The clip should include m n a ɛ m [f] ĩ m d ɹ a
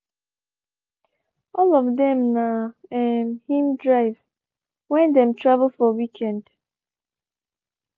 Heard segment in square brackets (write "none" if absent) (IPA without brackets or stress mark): h